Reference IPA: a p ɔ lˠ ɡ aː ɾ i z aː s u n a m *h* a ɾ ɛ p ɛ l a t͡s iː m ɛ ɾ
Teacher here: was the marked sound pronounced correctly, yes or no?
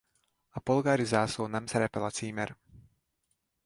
no